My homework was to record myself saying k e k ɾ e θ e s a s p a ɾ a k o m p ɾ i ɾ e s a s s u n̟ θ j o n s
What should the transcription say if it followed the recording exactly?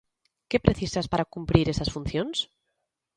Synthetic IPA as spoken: k e p ɾ e θ i s a s p a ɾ a k u m p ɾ i ɾ e s a s f u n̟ θ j o n s